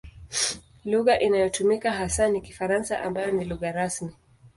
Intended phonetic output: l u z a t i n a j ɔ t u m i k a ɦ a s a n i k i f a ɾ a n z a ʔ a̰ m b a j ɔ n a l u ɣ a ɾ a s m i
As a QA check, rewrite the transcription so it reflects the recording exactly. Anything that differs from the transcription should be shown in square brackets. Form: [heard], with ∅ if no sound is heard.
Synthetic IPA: l u [ɣ] a [ʔ] i n a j ɔ t u m i k a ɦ a s a n i k i f a ɾ a n [s] a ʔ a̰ m b a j ɔ n [i] l u ɣ a ɾ a s m i